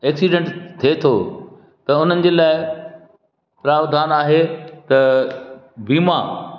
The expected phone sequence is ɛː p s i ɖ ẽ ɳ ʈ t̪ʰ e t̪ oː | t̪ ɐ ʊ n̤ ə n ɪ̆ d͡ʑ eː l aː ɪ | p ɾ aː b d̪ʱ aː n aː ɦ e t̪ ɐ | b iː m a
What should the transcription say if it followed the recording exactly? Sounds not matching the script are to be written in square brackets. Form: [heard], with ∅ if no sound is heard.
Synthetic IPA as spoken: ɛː [k] s i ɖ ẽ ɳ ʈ t̪ʰ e [t̪ʰ] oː | t̪ ɐ ʊ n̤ ə n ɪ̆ d͡ʑ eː l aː ɪ | p ɾ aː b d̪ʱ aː n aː ɦ e t̪ ɐ | b iː m a